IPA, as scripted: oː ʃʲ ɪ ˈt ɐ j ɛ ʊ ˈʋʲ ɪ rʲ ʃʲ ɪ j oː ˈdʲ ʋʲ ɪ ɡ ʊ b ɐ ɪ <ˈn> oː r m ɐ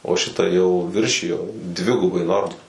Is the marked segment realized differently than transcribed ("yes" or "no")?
no